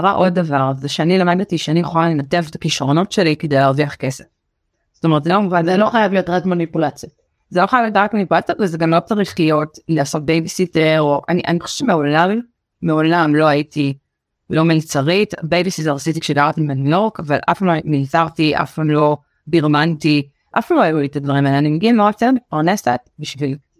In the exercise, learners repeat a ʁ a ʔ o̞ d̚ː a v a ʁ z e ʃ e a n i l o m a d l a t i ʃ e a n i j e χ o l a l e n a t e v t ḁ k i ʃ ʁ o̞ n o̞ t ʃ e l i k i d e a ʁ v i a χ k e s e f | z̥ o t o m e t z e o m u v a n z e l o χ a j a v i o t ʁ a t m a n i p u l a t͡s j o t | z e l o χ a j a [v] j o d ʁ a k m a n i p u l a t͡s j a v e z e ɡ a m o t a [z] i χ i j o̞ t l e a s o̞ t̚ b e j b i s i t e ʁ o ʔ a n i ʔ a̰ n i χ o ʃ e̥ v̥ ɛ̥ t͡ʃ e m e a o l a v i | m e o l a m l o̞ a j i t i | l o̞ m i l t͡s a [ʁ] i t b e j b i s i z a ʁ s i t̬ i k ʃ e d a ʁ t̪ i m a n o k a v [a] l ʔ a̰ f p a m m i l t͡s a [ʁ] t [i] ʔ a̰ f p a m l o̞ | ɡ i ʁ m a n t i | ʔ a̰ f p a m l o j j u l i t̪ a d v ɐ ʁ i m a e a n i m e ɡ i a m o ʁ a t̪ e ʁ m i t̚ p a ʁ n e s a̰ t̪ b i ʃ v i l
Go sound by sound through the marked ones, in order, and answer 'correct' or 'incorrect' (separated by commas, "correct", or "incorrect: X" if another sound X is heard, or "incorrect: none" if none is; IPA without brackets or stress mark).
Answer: correct, incorrect: ʁ, correct, correct, correct, correct